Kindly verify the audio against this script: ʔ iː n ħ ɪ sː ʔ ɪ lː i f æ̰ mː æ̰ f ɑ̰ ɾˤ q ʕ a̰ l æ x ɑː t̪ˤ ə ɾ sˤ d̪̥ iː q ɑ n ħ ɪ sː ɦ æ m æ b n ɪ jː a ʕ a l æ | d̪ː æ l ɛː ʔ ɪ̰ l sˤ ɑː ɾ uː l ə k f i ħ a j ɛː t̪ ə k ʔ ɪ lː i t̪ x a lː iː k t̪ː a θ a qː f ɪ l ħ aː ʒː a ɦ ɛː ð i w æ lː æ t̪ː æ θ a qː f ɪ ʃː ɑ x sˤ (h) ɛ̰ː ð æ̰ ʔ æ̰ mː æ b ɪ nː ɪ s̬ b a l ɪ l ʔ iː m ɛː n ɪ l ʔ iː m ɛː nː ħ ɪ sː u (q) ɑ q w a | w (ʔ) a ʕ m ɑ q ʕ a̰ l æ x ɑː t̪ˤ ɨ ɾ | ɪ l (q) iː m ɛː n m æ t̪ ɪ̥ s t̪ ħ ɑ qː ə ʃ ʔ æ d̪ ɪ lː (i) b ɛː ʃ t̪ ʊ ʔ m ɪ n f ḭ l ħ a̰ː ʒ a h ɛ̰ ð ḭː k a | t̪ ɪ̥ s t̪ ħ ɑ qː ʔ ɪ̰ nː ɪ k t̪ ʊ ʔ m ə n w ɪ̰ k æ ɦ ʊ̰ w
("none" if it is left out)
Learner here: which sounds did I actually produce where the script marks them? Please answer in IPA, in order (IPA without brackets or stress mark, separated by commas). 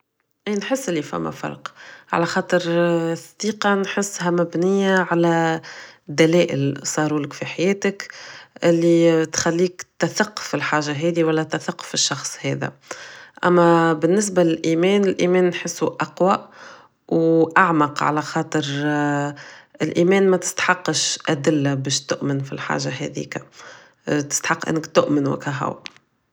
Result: h, ʔ, ʔ, ʔ, a